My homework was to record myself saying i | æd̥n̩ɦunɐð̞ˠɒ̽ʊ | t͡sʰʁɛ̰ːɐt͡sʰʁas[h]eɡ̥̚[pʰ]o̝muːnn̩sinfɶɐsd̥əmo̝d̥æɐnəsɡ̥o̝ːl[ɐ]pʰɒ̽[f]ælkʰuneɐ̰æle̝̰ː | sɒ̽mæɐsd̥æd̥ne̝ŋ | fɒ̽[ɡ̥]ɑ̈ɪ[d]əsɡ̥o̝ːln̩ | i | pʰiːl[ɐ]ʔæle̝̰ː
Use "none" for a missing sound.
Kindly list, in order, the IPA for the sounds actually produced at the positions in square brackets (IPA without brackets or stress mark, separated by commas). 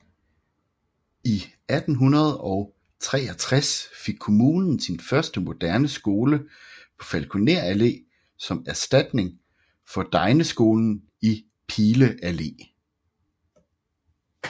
f, kʰ, ə, f, d̥, n, ə